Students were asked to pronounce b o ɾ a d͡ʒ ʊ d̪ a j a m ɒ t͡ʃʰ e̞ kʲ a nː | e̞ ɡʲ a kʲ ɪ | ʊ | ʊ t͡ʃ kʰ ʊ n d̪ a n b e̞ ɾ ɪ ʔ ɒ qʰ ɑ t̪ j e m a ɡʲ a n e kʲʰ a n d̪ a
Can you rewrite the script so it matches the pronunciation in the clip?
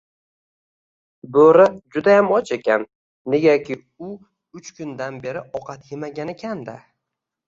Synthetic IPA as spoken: b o ɾ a d͡ʒ ʊ d̪ a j a m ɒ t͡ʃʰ e̞ kʲ a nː | e̞ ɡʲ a kʲ ɪ | ʊ | ʊ t͡ʃ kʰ ʊ n d̪ a n b e̞ ɾ ɪ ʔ ɒ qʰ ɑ t̪ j e m a ɡʲ a n e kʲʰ a n d̪ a